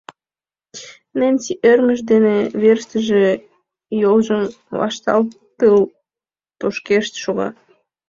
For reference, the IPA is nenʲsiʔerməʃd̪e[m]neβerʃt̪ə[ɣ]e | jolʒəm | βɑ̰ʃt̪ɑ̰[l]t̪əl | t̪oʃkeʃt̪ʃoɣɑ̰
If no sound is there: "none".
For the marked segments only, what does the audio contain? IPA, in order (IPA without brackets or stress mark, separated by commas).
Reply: none, ʒ, l